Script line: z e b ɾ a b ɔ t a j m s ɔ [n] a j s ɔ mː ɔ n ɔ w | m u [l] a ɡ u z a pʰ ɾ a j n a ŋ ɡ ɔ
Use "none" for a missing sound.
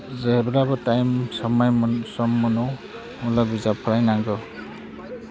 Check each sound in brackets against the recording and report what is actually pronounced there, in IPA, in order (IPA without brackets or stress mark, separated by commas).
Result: m, l